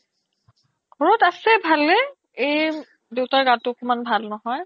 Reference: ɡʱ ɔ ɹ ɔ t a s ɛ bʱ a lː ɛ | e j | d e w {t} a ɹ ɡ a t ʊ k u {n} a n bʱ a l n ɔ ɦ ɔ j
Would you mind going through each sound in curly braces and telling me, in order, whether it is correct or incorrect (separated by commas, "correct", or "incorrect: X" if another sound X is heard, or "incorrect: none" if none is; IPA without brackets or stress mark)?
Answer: correct, incorrect: m